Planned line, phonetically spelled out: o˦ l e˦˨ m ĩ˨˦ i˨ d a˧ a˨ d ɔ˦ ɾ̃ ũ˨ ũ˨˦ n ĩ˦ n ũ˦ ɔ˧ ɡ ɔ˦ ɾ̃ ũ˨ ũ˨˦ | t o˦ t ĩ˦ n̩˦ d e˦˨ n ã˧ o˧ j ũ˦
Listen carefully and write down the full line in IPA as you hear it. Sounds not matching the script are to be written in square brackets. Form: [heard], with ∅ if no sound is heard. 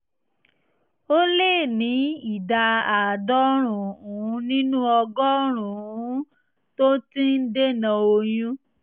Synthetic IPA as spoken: o˦ l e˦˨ [n] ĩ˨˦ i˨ d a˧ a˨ d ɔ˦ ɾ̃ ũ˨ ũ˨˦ n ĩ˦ n ũ˦ ɔ˧ ɡ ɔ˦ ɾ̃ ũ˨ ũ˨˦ | t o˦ t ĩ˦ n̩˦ d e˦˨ n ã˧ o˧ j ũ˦